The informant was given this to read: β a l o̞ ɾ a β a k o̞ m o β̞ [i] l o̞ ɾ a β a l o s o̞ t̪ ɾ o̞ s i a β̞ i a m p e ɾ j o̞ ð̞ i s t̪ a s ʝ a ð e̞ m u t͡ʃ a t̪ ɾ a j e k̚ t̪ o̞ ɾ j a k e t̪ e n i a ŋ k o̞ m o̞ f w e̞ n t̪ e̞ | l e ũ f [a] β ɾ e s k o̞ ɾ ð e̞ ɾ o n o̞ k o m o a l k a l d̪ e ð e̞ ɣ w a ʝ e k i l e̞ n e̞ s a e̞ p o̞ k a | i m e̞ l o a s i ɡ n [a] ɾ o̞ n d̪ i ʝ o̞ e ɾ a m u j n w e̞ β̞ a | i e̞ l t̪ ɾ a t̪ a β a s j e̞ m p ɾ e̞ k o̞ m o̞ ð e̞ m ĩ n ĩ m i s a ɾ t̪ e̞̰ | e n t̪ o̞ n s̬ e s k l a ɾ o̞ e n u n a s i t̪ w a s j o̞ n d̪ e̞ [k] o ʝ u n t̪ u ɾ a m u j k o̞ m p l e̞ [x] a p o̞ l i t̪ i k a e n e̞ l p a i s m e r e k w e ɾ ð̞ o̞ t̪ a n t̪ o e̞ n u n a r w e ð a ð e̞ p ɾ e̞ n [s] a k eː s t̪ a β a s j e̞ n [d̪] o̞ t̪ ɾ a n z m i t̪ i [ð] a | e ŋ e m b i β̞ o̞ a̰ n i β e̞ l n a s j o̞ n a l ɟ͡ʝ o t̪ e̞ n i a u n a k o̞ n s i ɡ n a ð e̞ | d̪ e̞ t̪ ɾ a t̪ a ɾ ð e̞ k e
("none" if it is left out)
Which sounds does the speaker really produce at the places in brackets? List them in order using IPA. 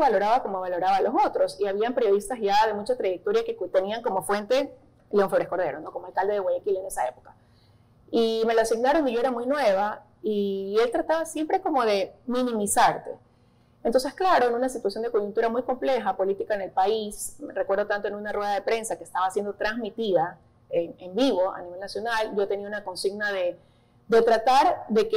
a, e, a, k, x, s, d̪, ð

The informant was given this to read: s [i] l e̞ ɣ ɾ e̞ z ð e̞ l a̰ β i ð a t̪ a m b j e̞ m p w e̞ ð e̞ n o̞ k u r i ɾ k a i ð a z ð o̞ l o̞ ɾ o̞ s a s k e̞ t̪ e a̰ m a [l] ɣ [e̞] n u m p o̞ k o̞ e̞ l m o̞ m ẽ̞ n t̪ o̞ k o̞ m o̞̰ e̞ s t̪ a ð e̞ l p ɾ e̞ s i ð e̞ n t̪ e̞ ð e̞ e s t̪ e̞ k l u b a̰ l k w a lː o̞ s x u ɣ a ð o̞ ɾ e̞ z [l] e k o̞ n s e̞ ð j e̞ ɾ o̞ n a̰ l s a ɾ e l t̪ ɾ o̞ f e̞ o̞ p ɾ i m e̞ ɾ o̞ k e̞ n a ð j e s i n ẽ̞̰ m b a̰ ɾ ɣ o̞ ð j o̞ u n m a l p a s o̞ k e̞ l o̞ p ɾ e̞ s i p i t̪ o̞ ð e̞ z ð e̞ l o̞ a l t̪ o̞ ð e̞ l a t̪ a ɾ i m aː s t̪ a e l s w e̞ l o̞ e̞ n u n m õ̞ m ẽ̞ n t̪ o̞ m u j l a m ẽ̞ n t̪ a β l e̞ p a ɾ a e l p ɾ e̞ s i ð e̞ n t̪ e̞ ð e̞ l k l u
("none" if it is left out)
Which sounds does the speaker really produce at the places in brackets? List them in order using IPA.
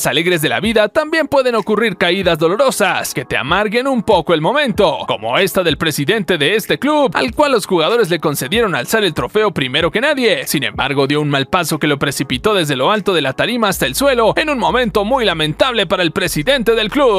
a, ɾ, e̞, l

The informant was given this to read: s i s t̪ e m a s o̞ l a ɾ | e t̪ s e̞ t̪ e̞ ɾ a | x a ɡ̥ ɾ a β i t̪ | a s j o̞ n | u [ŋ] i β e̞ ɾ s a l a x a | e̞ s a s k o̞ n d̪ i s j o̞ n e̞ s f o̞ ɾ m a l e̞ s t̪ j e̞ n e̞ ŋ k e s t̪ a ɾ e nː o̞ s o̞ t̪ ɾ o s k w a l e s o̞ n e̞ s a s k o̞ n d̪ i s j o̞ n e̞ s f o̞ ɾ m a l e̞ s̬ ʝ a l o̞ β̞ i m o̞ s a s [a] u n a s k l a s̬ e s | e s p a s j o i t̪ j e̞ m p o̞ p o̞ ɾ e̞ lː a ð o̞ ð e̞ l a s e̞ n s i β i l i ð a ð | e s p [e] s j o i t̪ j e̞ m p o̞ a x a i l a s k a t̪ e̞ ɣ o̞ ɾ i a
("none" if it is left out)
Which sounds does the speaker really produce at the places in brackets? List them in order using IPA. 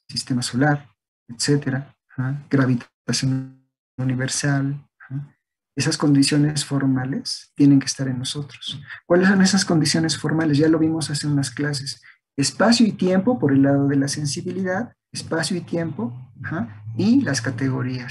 n, e, a

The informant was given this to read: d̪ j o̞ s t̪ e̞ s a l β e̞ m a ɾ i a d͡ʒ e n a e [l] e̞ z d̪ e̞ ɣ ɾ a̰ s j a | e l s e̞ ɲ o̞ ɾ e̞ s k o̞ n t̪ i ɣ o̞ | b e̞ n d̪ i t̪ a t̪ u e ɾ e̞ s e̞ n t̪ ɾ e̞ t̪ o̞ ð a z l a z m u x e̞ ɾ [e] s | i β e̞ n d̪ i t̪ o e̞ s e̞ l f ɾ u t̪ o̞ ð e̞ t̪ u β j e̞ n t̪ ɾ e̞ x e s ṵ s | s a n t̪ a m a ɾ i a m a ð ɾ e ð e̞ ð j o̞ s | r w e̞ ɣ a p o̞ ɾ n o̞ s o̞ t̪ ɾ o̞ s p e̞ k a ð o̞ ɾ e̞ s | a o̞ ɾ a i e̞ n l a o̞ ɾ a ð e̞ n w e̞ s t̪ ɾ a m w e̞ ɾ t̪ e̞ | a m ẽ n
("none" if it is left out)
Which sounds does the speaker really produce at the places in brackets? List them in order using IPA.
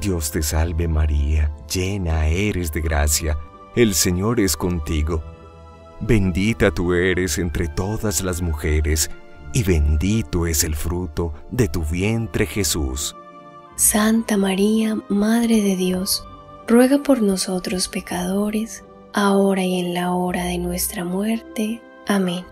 ɾ, e

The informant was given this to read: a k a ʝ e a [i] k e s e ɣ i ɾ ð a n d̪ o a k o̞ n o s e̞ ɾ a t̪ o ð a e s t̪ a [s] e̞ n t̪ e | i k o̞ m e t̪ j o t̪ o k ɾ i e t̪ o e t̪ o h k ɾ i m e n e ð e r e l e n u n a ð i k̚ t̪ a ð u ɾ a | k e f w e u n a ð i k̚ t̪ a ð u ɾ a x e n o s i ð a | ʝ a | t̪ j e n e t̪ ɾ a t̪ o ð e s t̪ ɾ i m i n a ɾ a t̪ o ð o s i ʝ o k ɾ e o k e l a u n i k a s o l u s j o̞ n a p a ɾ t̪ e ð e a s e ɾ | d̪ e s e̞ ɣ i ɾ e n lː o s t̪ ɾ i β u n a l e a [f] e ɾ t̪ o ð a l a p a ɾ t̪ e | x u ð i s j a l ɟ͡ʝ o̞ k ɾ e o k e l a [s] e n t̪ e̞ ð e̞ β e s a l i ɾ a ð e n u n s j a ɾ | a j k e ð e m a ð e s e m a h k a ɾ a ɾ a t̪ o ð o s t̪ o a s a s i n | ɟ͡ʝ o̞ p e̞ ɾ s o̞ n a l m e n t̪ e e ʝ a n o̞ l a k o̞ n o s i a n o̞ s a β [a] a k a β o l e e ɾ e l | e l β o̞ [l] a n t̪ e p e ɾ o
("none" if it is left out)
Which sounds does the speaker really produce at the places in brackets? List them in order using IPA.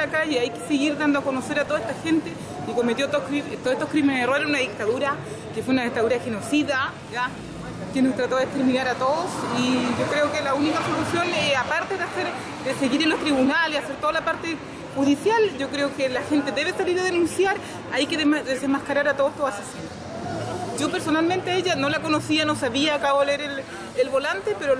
j, x, s, x, i, l

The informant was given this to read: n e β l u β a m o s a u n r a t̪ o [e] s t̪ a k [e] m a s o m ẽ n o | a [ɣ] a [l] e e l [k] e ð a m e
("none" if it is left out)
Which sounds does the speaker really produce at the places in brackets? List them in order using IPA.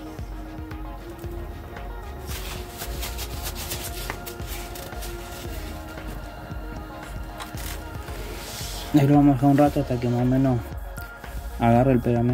a, e, ɣ, r, p

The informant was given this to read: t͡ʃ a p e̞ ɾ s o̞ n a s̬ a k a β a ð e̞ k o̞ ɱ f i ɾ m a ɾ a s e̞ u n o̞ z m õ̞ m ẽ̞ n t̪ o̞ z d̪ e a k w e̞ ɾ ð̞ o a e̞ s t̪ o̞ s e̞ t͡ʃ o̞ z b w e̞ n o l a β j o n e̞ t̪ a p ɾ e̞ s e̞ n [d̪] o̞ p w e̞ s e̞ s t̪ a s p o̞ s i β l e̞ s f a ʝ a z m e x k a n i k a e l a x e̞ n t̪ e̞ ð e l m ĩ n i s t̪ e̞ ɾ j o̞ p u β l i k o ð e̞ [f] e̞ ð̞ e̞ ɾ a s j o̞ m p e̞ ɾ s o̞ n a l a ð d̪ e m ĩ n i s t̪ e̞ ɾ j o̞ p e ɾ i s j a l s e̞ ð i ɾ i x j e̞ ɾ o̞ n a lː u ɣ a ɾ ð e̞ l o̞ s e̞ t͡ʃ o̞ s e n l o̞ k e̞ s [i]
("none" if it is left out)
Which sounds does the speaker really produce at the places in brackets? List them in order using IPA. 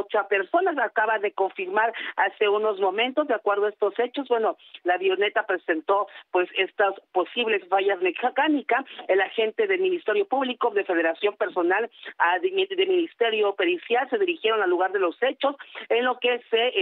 t̪, f, e

